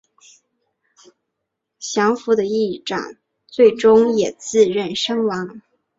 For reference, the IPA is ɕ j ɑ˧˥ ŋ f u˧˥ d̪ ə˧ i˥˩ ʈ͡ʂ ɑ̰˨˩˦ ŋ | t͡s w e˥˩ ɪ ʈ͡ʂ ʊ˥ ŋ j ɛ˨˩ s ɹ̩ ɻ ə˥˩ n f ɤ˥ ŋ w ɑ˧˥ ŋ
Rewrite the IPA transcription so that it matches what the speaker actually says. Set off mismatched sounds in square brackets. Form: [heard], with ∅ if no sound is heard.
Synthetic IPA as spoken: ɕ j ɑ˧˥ ŋ f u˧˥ d̪ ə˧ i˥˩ ʈ͡ʂ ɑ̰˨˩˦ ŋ | t͡s w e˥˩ ɪ ʈ͡ʂ ʊ˥ ŋ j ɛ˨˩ [t͡s] ɹ̩ ɻ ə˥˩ n [ʂ] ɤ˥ ŋ w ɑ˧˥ ŋ